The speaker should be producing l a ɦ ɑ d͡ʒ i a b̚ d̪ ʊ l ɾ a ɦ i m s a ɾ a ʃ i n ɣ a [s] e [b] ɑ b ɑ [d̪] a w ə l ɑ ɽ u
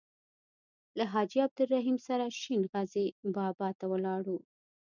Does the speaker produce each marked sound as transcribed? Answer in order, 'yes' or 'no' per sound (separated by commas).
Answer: no, yes, no